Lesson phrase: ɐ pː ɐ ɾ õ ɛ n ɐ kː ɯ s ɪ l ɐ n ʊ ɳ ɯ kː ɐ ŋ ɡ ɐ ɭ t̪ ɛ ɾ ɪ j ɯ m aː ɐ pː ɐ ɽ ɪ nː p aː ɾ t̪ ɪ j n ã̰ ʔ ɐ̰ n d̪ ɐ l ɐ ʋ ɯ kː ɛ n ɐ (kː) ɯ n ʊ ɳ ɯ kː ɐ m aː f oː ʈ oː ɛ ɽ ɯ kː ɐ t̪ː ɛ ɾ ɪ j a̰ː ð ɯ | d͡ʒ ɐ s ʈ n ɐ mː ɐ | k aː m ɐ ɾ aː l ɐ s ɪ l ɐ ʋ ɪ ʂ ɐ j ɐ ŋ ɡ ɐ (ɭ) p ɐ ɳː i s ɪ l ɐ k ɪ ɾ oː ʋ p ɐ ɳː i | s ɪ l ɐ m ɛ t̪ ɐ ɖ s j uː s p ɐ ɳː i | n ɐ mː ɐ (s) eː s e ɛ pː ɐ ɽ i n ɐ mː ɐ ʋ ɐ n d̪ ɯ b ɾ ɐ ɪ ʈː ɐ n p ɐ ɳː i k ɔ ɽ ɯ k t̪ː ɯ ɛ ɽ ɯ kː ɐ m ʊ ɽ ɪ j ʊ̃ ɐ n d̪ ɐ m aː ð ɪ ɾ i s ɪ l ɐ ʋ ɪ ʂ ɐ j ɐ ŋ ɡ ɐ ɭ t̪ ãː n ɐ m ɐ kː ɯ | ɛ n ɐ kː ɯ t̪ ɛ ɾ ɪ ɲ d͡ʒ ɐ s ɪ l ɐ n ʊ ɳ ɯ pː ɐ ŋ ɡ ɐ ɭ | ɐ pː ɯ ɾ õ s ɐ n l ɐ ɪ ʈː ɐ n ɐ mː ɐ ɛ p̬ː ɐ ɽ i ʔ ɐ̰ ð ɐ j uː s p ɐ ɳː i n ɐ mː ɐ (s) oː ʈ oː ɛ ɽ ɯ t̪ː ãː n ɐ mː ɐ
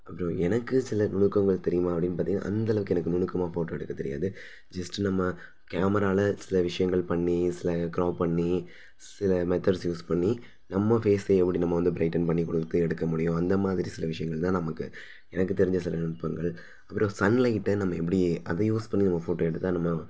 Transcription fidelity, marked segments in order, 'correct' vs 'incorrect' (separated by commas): correct, correct, incorrect, incorrect